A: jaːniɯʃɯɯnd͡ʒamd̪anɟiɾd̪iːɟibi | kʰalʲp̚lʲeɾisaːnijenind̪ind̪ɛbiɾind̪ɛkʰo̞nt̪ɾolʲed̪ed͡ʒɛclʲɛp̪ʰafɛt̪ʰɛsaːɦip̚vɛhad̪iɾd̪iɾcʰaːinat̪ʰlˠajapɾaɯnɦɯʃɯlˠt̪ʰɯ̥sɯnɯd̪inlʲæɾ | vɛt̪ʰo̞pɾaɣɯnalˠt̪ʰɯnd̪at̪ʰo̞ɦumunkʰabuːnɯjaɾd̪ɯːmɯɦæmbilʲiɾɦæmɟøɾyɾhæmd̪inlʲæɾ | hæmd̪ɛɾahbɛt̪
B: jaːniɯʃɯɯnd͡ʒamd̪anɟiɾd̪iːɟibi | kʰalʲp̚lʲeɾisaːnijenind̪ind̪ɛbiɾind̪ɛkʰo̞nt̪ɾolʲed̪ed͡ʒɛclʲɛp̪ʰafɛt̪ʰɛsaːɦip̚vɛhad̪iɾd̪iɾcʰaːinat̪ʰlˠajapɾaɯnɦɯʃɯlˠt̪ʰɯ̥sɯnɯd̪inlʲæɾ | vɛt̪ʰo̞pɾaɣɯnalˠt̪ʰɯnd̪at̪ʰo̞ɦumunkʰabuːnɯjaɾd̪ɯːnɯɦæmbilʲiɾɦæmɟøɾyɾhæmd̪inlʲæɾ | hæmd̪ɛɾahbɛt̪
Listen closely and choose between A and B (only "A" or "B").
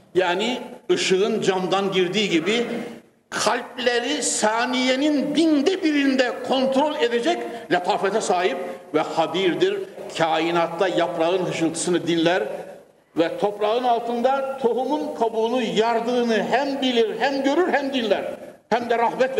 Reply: B